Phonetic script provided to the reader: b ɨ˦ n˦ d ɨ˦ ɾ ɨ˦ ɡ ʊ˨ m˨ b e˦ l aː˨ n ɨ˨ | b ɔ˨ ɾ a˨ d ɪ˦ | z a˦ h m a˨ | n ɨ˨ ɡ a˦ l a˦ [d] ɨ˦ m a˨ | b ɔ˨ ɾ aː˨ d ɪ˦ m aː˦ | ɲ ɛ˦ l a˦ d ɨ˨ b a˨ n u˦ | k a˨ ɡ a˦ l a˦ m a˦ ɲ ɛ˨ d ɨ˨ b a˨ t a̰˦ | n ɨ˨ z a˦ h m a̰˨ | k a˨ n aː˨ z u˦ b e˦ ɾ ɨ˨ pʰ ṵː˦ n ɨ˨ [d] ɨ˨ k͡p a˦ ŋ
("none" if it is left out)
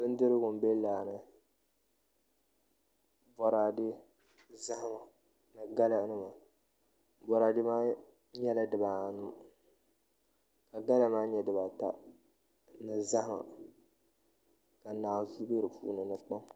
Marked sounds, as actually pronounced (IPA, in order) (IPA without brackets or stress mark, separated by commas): n, n